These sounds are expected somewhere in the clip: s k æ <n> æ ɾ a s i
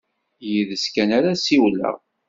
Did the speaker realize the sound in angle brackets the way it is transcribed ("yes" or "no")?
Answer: yes